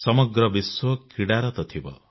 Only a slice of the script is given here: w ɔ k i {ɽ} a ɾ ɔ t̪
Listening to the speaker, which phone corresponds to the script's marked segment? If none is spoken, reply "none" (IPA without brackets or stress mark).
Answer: ɽ